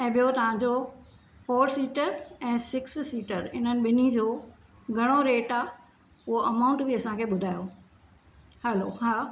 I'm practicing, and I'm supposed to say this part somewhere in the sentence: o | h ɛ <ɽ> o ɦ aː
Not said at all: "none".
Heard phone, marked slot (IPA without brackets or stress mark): l